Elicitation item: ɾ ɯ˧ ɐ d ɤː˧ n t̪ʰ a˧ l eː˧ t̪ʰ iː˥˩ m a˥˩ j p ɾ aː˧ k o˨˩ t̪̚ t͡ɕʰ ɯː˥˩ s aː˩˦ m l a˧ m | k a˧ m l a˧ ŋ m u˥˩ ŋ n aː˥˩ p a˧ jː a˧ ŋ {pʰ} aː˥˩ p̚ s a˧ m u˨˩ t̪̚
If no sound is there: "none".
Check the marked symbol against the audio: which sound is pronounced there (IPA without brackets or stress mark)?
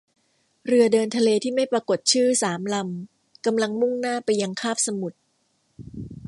kʰ